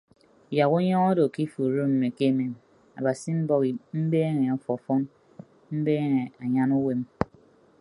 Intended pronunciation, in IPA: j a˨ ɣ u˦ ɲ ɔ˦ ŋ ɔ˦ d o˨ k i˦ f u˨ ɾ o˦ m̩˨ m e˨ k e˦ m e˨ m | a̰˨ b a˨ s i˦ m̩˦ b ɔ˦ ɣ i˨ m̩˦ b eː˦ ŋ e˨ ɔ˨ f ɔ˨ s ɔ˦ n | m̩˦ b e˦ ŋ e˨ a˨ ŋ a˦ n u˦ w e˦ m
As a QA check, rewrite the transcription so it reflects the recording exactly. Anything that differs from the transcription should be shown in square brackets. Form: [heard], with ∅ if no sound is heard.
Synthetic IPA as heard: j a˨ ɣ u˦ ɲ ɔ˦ ŋ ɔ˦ d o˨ k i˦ f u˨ ɾ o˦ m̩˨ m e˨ k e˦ m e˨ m | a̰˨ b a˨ s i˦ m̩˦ b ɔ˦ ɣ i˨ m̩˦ b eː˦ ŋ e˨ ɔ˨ f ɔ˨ [f] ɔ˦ n | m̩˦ b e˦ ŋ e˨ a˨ [ɲ] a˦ n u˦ w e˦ m